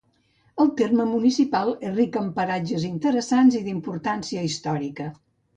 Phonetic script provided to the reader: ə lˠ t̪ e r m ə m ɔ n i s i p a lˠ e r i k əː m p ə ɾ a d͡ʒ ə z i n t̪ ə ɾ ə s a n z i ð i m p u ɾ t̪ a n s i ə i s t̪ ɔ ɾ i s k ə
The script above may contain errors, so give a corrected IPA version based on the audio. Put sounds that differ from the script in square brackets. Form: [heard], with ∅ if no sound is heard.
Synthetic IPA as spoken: ə lˠ t̪ e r m ə m [u] n i s i p a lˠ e r i k [ə] m p ə ɾ a d͡ʒ ə z i n t̪ ə ɾ ə s a n z i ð i m p u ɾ t̪ a n s i ə i s t̪ ɔ ɾ i [∅] k ə